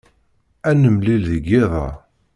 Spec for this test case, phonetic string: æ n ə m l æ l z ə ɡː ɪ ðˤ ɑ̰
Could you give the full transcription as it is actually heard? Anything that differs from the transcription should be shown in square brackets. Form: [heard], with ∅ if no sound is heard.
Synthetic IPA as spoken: æ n ə m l [i] l [ð] ə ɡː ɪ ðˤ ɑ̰